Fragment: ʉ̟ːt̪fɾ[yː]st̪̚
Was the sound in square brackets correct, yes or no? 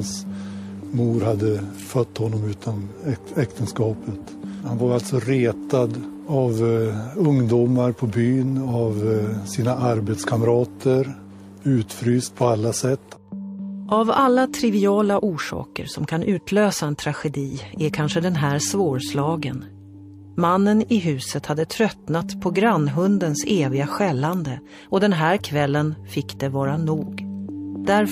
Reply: yes